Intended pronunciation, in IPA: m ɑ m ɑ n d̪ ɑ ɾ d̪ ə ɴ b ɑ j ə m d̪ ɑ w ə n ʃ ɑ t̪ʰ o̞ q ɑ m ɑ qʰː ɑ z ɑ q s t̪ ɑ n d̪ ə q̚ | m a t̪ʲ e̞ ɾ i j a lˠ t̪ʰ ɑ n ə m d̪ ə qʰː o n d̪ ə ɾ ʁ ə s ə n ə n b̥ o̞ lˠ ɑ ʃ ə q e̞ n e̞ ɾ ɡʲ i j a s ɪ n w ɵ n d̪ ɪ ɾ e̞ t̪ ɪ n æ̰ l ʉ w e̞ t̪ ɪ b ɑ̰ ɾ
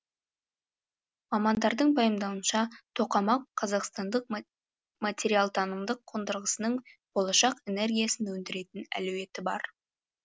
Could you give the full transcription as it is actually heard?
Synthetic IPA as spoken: m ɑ m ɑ n d̪ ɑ ɾ d̪ ə ɴ b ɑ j ə m d̪ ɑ w ə n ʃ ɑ t̪ʰ o̞ q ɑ m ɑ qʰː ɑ z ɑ q s t̪ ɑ n d̪ ə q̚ | m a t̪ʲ e̞ ɾ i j a lˠ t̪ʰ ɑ n ə m d̪ ə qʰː o n d̪ ə ɾ ʁ ə s ə n ə ɴ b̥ o̞ lˠ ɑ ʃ ɑ q e̞ n e̞ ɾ ɡʲ i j a s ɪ n w ɵ n d̪ ɪ ɾ e̞ t̪ ɪ n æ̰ l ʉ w e̞ t̪ ɪ b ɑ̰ ɾ

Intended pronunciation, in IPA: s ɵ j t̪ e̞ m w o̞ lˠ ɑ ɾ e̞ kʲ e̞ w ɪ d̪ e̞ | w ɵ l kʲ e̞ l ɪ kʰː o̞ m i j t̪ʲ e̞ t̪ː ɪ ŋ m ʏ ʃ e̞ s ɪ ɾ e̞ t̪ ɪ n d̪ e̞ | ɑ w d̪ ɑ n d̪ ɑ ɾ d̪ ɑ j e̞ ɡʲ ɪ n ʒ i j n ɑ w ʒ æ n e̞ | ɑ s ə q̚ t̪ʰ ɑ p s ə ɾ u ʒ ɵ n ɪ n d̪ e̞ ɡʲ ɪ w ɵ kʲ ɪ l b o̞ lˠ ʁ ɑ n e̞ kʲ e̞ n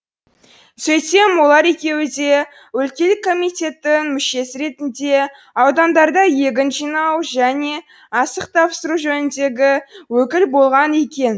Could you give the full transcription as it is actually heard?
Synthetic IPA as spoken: s ɵ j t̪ e̞ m w o̞ lˠ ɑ ɾ e̞ kʲ e̞ w ɪ d̪ e̞ | w ɵ l kʲ e̞ l ɪ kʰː o̞ m i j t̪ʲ e̞ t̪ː ɪ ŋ m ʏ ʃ e̞ s ɪ ɾ e̞ t̪ ɪ n d̪ e̞ | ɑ w d̪ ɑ n d̪ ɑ ɾ d̪ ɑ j e̞ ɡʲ ɪ n ʒ i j n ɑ w ʒ æ n e̞ | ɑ s ə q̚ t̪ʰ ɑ p s ə ɾ u ʒ ɵ n ɪ n d̪ e̞ ɡʲ ɪ w ɵ kʲ ɪ l b o̞ lˠ ʁ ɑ n e̞ kʲ e̞ n

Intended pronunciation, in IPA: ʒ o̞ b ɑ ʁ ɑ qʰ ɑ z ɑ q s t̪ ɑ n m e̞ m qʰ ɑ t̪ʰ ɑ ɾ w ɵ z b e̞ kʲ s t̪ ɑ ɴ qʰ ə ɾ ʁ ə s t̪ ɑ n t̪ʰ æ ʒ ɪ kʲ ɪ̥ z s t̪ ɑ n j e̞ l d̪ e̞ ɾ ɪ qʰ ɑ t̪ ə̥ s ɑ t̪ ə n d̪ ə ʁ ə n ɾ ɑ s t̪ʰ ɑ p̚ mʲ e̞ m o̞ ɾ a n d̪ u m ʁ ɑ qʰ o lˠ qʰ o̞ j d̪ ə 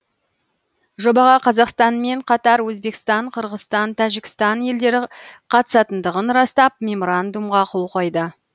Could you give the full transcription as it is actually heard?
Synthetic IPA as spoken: ʒ o̞ b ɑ ʁ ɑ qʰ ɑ z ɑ q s t̪ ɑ n m e̞ ɴ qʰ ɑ t̪ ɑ ɾ w ɵ z b e̞ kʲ s t̪ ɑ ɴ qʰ ə ɾ ʁ ə s t̪ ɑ n t̪ʰ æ ʒ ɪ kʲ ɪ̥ s t̪ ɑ n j e̞ l d̪ e̞ ɾ ɪ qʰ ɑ t̪ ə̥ s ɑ t̪ ə n d̪ ə ʁ ə n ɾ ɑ s t̪ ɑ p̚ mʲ e̞ m o̞ ɾ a n d̪ u m ʁ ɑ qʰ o lˠ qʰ o̞ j d̪ ə

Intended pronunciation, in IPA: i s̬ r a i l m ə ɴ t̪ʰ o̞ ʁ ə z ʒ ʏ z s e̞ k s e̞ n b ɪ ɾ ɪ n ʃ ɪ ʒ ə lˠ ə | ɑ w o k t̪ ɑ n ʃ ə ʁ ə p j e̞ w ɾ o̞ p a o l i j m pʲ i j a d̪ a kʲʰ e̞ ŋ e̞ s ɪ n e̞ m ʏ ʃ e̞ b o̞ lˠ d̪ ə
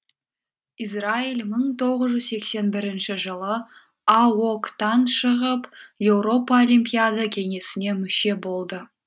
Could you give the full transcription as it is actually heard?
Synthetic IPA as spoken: i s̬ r a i l m ə ɴ t̪ʰ o̞ ʁ ə z ʒ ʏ z s e̞ k s e̞ n b ɪ ɾ ɪ n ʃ ɪ ʒ ə lˠ ə | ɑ w o k t̪ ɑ n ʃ ə ʁ ə p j e̞ w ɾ o̞ p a o l i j m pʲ i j a d̪ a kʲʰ e̞ ŋ e̞ s ɪ n e̞ m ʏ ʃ e̞ b o̞ lˠ d̪ ə

